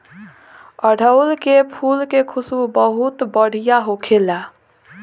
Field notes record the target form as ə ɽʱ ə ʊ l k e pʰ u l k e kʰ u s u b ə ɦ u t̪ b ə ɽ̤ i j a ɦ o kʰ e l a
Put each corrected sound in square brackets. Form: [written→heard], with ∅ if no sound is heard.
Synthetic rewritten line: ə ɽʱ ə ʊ l k e pʰ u l k e kʰ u s u b ə ɦ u t̪ b ə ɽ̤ i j a ɦ o kʰ e l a